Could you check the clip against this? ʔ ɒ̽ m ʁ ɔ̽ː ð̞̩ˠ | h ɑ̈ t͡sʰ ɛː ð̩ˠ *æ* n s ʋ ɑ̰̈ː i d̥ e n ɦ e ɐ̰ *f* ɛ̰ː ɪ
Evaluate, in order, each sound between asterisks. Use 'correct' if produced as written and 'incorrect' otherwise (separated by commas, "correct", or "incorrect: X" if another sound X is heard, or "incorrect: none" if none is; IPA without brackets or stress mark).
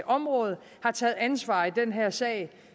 correct, incorrect: s